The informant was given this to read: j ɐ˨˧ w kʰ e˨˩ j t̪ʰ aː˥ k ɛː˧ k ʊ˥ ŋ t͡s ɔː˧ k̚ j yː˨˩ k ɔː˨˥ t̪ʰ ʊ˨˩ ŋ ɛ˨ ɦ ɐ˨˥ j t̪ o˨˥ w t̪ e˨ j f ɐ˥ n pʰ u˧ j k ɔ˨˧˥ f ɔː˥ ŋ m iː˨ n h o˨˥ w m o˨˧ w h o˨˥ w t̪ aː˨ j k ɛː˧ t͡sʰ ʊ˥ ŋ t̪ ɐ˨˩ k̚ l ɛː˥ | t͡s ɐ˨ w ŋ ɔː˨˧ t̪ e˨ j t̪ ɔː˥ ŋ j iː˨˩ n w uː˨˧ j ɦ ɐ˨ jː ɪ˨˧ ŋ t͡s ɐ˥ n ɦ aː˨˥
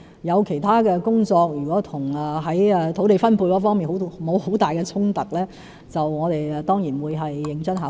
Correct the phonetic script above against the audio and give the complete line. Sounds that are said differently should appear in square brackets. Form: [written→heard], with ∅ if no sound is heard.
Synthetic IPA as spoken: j ɐ˨˧ w kʰ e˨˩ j t̪ʰ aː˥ k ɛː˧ k ʊ˥ ŋ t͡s ɔː˧ k̚ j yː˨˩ k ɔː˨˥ t̪ʰ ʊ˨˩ ŋ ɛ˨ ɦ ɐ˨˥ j [t̪→t̪ʰ] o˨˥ w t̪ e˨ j f ɐ˥ n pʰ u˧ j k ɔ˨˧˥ f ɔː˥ ŋ m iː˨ n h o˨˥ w m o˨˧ w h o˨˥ w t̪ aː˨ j k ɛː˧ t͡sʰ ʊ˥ ŋ t̪ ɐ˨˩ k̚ l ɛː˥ | t͡s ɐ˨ w ŋ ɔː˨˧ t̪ e˨ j t̪ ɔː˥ ŋ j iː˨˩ n w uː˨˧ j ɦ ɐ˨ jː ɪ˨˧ ŋ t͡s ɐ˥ n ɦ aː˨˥